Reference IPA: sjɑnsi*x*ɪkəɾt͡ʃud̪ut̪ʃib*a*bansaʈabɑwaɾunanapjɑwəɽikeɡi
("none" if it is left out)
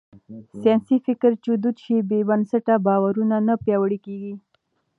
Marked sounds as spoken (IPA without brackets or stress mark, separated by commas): f, e